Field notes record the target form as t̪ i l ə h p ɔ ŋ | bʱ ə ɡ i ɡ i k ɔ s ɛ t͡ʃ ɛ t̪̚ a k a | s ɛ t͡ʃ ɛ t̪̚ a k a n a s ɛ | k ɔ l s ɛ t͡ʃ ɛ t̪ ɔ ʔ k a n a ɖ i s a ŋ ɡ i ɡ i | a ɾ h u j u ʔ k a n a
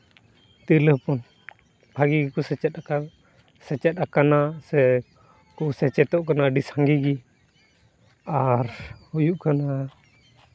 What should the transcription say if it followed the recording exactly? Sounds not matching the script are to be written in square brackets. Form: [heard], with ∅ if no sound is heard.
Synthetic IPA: t̪ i l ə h p ɔ [n] | bʱ [a] ɡ i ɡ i k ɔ s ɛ t͡ʃ ɛ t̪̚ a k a | s ɛ t͡ʃ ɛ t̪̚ a k a n a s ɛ | k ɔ [∅] s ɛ t͡ʃ ɛ t̪ ɔ ʔ k a n a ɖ i s a ŋ ɡ i ɡ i | a ɾ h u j u ʔ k a n a

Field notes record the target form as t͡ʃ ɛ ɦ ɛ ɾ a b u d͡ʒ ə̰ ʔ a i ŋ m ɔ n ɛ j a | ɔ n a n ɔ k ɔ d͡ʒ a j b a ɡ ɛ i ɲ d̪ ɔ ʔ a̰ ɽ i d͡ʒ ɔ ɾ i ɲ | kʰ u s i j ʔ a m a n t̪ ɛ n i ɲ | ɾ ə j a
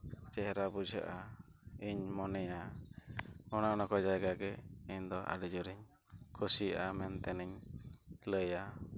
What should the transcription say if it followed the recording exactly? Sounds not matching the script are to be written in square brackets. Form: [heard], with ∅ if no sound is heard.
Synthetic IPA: t͡ʃ ɛ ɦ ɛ ɾ a b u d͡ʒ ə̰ ʔ a i [ɲ] m ɔ n ɛ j a | ɔ n a n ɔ k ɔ d͡ʒ a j [ɡ] a ɡ ɛ i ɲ d̪ ɔ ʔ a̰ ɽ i d͡ʒ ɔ ɾ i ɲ | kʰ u s i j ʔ a m [ɛ] n t̪ ɛ n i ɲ | [l] ə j a

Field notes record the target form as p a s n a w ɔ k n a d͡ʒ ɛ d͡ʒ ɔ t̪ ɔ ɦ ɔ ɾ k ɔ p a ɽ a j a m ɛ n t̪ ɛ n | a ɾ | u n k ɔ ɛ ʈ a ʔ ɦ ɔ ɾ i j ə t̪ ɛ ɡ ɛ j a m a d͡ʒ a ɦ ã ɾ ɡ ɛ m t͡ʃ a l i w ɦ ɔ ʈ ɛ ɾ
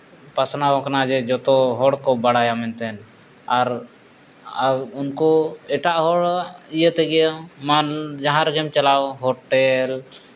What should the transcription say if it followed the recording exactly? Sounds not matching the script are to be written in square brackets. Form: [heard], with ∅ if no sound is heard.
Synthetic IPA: p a s n a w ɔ k n a d͡ʒ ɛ d͡ʒ ɔ t̪ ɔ ɦ ɔ [ɽ] k ɔ [b] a ɽ a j a m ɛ n t̪ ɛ n | a ɾ | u n k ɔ ɛ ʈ a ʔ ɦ ɔ [ɽ] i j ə t̪ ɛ ɡ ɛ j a m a d͡ʒ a ɦ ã ɾ ɡ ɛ m t͡ʃ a l [a] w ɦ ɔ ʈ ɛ [l]

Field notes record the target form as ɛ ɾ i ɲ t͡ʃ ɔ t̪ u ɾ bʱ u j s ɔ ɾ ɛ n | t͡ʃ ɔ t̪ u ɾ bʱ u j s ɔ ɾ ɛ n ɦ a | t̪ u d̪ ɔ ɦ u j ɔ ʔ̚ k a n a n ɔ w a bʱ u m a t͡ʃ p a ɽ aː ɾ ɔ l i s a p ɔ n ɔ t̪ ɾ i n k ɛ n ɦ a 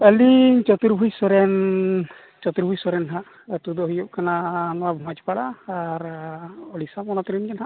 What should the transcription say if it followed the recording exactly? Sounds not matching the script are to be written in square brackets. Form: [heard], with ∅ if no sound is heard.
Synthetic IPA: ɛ [l] i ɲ t͡ʃ ɔ t̪ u ɾ bʱ u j s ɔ ɾ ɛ n | t͡ʃ ɔ t̪ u ɾ bʱ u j s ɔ ɾ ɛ n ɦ a | t̪ u d̪ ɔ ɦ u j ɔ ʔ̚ k a n a n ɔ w a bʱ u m a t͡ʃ p a ɽ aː ɾ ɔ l i s a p ɔ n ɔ t̪ ɾ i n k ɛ n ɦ a

